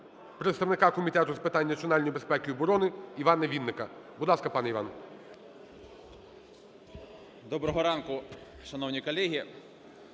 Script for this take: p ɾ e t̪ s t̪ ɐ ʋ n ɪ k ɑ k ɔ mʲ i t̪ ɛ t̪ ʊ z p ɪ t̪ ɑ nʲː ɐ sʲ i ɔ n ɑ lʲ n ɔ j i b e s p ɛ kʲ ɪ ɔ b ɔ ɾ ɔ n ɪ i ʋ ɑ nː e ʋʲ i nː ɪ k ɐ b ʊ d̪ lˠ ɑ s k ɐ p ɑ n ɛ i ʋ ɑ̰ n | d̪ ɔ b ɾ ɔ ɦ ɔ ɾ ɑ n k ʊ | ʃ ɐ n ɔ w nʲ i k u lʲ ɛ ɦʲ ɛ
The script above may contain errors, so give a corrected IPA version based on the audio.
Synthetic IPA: p ɾ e t̪ s t̪ ɐ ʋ n ɪ k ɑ k ɔ mʲ i t̪ ɛ t̪ ʊ z p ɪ t̪ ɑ nʲː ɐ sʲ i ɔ n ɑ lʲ n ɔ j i b e s p ɛ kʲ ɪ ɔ b ɔ ɾ ɔ n ɪ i ʋ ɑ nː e ʋʲ i nː ɪ k ɐ b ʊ d̪ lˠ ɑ s k ɐ p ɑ n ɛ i ʋ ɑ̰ n | d̪ ɔ b ɾ ɔ ɦ ɔ ɾ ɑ n k ʊ | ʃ ɐ n ɔ w nʲ i k ɔ lʲ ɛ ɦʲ i